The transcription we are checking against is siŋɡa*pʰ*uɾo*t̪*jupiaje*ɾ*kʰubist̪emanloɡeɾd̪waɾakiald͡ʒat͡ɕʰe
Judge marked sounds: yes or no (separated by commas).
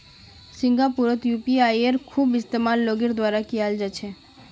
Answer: no, yes, yes